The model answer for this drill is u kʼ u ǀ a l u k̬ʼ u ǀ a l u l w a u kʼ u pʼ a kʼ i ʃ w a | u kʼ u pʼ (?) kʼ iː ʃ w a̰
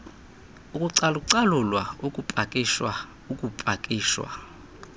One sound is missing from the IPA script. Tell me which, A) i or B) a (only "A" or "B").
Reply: B